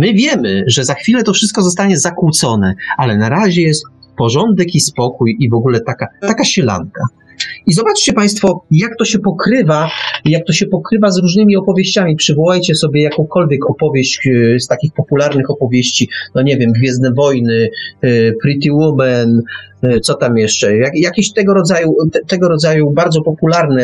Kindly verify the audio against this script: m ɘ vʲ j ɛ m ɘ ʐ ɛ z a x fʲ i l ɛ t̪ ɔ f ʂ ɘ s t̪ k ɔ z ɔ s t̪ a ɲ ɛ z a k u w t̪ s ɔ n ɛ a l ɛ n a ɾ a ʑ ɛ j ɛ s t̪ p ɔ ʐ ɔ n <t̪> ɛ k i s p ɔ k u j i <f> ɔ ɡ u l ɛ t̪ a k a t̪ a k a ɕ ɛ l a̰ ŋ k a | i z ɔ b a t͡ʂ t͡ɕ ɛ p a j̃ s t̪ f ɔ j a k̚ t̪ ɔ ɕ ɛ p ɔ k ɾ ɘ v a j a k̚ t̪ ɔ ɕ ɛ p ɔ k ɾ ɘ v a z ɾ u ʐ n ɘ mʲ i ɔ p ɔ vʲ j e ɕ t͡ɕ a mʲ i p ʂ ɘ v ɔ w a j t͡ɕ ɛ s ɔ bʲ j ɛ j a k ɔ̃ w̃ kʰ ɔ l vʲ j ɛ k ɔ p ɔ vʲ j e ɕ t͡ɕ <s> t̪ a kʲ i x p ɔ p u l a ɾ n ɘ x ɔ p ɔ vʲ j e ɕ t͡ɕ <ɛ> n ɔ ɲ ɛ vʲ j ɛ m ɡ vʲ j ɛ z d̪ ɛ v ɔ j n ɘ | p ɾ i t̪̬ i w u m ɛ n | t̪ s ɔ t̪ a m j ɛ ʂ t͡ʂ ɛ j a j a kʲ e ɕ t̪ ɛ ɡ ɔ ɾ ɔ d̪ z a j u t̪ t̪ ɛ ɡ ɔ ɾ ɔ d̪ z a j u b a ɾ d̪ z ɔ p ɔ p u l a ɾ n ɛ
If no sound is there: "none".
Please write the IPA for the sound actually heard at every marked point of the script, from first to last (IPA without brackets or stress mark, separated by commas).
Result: d̪, v, s, i